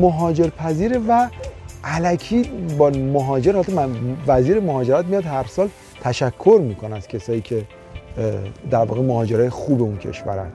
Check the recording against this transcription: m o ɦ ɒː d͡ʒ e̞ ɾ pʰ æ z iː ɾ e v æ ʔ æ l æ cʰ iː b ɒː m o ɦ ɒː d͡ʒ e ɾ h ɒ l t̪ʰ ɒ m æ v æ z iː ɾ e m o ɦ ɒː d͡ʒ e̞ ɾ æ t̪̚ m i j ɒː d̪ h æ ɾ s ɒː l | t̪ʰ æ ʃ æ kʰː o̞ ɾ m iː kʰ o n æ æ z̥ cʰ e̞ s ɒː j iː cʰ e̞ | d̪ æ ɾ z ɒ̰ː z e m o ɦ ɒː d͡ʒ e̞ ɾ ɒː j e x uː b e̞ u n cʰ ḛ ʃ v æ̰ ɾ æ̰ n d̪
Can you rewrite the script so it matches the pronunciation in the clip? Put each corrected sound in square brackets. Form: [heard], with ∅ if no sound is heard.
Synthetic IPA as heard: m o ɦ ɒː d͡ʒ e̞ ɾ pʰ æ z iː ɾ e v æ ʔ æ l æ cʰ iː b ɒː m o ɦ ɒː d͡ʒ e ɾ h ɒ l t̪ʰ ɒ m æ v æ z iː ɾ e m o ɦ ɒː d͡ʒ e̞ ɾ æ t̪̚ m i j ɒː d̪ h æ ɾ s ɒː l | t̪ʰ æ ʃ æ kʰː o̞ ɾ m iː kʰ o n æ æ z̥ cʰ e̞ s ɒː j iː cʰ e̞ | d̪ æ ɾ [v] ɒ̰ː [ɣ] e m o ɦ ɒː d͡ʒ e̞ ɾ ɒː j e x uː b e̞ u n cʰ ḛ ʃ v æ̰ ɾ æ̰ n d̪